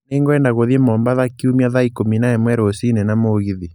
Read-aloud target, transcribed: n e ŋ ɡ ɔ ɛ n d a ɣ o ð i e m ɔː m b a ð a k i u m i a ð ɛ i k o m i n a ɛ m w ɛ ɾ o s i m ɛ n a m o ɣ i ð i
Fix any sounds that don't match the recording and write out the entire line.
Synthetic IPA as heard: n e ŋ ɡ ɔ ɛ n d a ɣ o ð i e m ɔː m b a ð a k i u m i a ð a i k o m i n a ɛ m w ɛ ɾ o s i n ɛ n a m o ɣ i ð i